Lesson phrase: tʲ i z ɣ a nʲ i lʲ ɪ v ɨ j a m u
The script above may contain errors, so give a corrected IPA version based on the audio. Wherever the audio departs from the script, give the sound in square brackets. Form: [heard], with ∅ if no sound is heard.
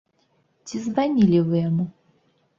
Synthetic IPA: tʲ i z [v] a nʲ i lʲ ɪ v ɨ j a m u